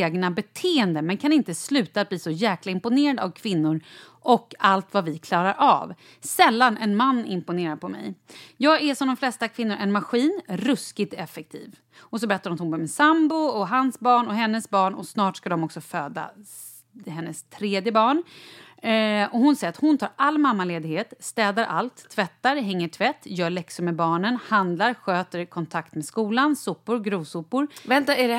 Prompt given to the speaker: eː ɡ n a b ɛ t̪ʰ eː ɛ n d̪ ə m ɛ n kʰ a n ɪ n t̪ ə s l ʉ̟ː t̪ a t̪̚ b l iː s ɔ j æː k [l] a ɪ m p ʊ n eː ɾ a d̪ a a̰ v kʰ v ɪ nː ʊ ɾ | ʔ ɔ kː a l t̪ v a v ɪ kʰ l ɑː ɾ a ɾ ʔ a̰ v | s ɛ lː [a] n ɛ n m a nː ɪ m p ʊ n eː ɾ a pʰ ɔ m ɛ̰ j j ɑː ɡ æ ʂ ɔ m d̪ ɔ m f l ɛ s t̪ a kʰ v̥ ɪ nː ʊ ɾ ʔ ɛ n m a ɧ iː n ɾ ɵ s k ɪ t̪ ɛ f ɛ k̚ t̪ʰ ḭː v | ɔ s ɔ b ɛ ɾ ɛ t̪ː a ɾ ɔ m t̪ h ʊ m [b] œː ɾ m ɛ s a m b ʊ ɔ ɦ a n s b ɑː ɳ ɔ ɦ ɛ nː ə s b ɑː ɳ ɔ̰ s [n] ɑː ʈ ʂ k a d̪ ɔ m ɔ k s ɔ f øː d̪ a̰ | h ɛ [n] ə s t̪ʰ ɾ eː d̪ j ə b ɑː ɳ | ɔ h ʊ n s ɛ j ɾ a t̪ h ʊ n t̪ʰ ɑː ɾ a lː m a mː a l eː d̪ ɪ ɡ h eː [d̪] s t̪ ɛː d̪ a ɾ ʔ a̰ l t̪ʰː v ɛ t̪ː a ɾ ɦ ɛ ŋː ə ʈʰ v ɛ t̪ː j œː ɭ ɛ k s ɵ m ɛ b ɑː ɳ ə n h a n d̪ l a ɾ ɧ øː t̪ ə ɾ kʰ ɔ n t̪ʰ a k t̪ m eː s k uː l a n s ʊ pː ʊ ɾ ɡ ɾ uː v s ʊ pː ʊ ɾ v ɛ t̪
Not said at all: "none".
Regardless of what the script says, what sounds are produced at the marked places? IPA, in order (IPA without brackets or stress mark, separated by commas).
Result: l, a, b, n, nː, t̪